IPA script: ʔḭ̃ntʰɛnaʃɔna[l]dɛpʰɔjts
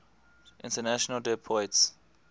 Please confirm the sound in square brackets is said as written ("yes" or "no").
yes